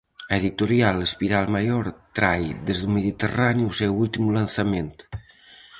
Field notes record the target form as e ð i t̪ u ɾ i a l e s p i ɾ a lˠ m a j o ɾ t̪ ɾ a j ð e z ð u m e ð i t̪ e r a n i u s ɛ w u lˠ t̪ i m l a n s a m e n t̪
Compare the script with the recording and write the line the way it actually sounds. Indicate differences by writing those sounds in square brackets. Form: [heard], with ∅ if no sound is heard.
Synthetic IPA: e ð i t̪ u ɾ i a l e s p i ɾ a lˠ m a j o ɾ t̪ ɾ a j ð e z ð u m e ð i t̪ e r a n i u s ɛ w u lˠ t̪ i m l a n s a m e n t̪